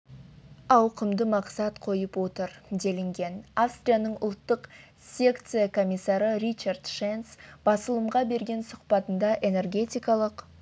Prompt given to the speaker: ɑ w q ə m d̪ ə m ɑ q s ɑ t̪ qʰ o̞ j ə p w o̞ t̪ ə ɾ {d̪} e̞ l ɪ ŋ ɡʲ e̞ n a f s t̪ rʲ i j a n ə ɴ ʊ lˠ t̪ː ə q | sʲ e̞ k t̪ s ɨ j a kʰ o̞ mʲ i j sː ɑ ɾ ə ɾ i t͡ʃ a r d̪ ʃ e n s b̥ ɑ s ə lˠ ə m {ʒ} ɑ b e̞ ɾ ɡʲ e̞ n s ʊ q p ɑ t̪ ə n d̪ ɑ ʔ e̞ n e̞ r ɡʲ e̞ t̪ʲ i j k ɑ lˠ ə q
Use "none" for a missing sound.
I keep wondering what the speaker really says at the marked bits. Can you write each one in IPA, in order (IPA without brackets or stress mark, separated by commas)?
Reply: d̪, ʁ